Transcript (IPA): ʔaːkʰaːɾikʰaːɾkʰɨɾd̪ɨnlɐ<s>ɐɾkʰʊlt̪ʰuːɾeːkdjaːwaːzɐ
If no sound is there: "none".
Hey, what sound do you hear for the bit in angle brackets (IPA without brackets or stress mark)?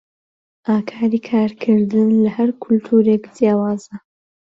h